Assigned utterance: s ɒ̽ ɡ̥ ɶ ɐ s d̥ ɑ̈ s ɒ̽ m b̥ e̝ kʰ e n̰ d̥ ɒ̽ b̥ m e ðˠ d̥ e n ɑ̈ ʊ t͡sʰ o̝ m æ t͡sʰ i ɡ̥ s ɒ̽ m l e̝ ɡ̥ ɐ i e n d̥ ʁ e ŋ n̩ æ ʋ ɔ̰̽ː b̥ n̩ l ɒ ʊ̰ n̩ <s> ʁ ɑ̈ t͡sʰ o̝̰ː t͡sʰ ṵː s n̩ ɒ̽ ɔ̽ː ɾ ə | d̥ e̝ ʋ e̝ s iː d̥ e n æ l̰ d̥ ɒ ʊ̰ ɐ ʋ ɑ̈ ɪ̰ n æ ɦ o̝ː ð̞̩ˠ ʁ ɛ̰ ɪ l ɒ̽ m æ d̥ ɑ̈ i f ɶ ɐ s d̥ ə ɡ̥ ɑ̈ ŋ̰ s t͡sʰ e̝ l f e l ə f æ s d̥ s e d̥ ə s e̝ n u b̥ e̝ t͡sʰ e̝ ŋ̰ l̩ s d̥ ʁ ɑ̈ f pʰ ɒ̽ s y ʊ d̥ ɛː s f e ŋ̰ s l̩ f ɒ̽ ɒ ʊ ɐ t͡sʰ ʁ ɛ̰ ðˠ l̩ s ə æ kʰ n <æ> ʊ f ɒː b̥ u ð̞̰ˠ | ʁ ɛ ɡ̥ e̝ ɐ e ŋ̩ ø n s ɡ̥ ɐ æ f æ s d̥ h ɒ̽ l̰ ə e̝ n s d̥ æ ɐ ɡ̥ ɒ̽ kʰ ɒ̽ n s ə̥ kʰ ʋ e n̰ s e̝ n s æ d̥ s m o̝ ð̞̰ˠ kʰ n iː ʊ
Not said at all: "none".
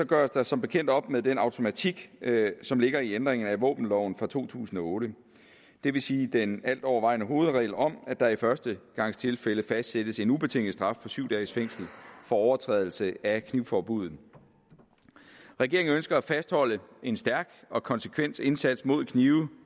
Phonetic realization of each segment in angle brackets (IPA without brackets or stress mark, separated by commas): f, i